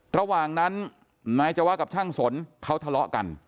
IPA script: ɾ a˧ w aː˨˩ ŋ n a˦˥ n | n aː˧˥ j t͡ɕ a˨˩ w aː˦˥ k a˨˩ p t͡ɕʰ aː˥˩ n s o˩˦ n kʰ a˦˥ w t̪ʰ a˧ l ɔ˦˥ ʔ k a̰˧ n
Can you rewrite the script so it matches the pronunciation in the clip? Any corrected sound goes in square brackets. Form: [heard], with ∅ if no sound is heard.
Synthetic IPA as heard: ɾ a˧ w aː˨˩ ŋ n a˦˥ n | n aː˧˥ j t͡ɕ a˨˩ w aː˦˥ k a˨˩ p t͡ɕʰ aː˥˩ [ŋ] s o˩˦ n kʰ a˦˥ w t̪ʰ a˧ l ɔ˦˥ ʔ k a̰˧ n